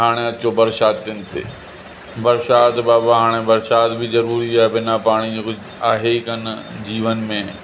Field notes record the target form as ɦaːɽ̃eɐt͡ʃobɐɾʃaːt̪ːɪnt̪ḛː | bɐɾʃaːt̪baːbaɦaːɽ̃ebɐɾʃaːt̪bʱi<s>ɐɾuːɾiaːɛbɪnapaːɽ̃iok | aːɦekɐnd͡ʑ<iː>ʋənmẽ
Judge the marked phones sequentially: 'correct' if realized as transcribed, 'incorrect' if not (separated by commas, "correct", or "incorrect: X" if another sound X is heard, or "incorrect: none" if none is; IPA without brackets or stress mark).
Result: incorrect: z, correct